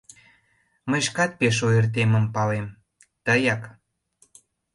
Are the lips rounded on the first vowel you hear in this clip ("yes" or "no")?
no